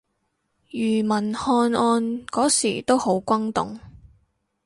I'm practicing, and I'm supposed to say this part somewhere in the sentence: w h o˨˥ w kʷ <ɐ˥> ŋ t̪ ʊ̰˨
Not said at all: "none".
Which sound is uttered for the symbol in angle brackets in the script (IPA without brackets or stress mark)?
ɐ˥